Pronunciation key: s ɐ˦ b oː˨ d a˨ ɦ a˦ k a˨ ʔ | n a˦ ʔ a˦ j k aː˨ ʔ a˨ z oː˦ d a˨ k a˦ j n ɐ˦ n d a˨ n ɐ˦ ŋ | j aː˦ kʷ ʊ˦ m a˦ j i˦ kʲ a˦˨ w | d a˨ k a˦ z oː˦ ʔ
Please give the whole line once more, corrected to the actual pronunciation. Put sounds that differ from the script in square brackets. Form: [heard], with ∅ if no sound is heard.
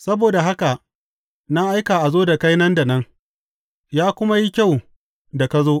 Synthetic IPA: s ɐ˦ b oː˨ d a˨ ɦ a˦ k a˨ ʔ | n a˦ ʔ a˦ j k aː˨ ʔ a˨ z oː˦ d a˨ k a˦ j n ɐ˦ n d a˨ n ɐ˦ ŋ | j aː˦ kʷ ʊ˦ m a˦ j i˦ kʲ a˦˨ w | d a˨ k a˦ z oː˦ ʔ